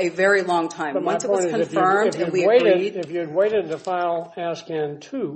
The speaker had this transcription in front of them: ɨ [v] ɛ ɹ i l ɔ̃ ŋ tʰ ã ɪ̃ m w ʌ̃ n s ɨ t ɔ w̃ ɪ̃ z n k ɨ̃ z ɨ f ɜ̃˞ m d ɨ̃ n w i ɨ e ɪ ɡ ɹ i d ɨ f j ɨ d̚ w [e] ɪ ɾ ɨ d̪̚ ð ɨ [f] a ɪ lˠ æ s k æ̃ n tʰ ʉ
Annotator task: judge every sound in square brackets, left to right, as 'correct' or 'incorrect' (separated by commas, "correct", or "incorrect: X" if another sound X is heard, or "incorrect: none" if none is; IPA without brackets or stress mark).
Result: correct, correct, correct